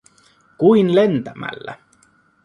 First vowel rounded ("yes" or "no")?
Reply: yes